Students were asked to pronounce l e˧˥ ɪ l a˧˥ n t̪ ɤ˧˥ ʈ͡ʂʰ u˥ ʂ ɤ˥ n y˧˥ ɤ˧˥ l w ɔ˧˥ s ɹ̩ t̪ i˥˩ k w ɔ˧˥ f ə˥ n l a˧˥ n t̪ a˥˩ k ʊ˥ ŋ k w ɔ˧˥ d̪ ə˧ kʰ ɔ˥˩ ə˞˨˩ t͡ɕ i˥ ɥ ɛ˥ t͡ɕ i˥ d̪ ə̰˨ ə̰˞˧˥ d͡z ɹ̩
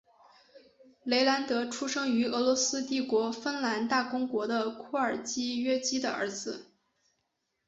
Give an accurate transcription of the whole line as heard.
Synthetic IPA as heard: l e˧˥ ɪ l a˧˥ n t̪ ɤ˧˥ ʈ͡ʂʰ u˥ ʂ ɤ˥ ŋ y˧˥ ɤ˧˥ l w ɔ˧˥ s ɹ̩ t̪ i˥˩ k w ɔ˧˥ f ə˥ n l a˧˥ n t̪ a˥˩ k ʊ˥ ŋ k w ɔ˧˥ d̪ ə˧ kʰ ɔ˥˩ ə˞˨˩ t͡ɕ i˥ ɥ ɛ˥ t͡ɕ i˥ d̪ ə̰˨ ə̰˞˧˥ d͡z ɹ̩